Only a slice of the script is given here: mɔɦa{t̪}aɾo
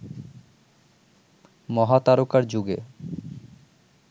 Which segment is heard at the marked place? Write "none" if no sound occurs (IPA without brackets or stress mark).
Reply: t̪